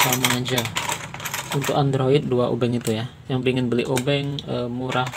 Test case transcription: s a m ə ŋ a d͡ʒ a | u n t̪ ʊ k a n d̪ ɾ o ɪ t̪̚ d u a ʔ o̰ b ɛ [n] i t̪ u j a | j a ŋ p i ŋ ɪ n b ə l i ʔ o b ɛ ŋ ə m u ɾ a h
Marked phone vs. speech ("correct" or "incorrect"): incorrect